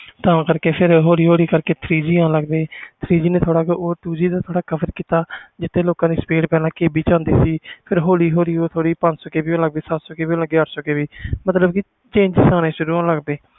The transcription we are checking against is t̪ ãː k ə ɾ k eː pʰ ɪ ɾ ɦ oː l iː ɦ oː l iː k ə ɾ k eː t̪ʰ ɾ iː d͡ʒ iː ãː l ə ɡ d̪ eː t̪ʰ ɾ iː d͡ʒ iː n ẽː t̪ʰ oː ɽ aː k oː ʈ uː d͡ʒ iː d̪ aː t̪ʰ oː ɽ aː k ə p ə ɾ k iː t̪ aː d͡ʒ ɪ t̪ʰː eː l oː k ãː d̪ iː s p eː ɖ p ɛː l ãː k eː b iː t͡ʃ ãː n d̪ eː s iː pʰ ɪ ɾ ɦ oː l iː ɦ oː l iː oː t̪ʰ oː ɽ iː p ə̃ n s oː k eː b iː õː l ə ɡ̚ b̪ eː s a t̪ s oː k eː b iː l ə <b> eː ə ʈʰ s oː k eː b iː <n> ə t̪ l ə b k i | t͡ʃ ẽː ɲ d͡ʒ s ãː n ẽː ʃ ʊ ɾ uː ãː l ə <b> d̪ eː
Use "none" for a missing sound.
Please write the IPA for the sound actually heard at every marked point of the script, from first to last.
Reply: ɡ, m, ɡ

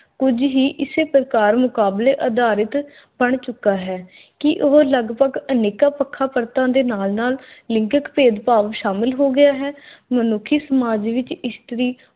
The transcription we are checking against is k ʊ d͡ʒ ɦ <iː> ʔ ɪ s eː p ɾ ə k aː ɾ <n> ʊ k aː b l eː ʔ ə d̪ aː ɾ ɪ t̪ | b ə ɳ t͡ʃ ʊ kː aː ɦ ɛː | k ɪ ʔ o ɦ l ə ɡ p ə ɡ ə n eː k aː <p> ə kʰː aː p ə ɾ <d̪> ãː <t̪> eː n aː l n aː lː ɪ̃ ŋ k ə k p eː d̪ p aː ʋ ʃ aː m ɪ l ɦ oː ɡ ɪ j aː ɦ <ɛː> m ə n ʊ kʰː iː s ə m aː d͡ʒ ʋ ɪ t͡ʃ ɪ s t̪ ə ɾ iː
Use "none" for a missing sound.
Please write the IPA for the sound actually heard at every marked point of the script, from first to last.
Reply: iː, m, p, t̪, d̪, ɛː

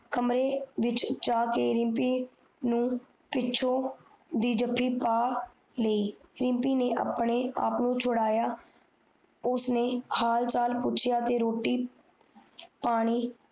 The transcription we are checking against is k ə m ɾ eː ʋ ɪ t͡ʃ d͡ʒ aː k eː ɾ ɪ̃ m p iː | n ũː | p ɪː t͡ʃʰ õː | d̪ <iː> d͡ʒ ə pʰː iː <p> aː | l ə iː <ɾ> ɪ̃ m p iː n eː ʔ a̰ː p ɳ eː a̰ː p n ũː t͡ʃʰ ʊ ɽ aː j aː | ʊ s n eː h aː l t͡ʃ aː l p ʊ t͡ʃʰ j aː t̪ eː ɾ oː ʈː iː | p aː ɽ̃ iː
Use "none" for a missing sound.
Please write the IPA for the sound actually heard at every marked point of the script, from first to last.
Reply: iː, p, ɾ

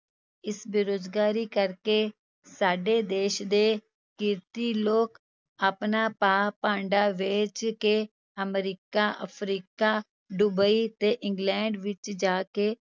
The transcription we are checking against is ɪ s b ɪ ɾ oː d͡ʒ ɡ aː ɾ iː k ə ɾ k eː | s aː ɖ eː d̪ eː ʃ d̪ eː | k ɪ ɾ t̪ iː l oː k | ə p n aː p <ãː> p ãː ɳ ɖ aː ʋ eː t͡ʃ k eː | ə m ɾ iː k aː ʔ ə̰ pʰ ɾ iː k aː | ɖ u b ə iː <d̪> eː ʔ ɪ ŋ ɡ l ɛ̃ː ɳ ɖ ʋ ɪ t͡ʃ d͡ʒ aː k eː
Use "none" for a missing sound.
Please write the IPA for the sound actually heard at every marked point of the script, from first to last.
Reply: aː, t̪

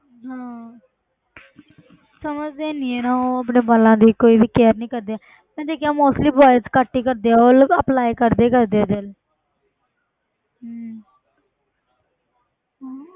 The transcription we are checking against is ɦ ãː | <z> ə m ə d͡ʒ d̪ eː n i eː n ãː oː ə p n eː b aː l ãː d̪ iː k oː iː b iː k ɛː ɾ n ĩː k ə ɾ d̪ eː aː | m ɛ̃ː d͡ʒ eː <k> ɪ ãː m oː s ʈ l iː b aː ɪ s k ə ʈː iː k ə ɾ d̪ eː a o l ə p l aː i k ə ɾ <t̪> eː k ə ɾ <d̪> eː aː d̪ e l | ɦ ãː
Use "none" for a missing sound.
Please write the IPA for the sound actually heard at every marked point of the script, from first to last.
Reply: s, k, d̪, d̪

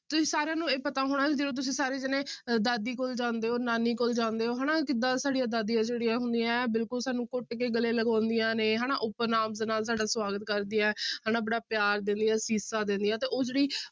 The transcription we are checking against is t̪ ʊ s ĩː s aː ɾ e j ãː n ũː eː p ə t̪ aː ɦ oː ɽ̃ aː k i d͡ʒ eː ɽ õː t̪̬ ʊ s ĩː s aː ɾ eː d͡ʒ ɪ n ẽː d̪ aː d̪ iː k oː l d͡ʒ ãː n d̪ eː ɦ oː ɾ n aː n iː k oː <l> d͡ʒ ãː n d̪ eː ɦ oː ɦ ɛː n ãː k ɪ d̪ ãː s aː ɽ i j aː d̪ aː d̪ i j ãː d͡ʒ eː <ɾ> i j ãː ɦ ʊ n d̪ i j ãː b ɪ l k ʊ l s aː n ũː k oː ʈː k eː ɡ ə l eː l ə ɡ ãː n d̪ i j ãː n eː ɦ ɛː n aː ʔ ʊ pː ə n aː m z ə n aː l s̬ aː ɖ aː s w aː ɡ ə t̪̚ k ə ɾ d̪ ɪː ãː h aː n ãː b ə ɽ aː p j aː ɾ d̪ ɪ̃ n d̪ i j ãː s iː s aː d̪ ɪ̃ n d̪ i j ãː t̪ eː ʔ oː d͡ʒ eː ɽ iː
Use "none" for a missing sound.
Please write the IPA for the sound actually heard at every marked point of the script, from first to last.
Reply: l, ɽ

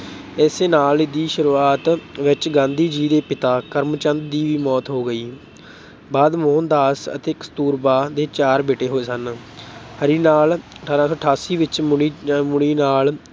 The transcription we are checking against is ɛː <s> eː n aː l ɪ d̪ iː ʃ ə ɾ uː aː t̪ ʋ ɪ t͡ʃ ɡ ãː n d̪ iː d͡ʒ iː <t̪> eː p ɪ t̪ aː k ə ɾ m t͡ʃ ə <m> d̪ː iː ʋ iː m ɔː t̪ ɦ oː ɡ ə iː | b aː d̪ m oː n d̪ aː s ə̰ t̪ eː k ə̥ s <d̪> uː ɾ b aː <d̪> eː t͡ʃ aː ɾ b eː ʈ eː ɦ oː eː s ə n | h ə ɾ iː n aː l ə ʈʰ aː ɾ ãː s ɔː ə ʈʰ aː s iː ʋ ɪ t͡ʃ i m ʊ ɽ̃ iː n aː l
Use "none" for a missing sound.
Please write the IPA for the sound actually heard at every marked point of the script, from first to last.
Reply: s, d̪, n, t̪, d̪

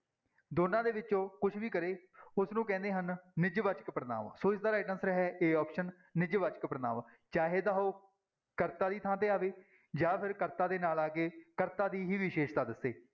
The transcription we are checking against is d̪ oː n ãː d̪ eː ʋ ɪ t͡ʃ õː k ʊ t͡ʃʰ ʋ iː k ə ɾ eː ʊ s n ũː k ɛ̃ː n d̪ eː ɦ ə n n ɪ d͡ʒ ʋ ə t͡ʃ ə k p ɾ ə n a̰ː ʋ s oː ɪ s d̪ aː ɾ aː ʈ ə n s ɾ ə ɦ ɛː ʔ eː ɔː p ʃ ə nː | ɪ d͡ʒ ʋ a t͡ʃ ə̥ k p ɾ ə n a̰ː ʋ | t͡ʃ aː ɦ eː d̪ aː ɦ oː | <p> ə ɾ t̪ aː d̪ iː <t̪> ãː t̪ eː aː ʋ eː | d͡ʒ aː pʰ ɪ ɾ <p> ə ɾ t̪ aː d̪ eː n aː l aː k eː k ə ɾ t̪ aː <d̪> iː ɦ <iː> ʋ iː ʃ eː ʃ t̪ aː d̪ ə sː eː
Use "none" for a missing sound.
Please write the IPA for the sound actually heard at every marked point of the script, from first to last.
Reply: k, t̪ʰ, k, d̪, iː

